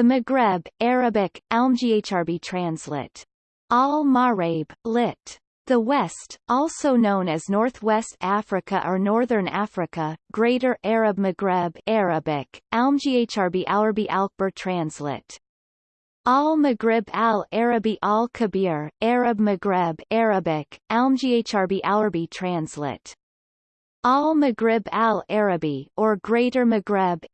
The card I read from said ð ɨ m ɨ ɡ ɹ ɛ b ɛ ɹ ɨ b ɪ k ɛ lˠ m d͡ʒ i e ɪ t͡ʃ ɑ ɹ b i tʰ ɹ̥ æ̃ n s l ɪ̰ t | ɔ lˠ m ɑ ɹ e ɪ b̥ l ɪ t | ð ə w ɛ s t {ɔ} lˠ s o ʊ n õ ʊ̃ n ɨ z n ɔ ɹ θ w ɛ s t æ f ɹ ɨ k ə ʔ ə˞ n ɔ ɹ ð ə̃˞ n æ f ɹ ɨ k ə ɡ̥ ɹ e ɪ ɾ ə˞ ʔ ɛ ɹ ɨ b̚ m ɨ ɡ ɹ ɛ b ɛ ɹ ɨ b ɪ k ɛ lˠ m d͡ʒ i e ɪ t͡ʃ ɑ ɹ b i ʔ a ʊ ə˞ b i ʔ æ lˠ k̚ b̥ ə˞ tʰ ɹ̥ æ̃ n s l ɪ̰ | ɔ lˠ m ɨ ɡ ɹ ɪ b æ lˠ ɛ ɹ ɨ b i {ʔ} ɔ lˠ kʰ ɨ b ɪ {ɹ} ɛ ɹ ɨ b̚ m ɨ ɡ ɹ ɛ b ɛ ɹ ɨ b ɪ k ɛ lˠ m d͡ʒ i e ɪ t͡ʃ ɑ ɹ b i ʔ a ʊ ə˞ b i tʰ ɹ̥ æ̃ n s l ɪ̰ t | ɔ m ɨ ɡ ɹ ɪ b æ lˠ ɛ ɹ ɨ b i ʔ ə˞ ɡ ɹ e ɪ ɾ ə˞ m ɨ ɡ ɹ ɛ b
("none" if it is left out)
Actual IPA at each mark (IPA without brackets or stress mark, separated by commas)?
ɔ, ʔ, ɹ